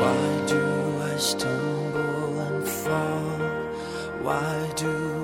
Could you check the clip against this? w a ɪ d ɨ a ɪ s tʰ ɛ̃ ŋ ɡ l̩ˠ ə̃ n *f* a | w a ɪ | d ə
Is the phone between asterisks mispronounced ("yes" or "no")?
no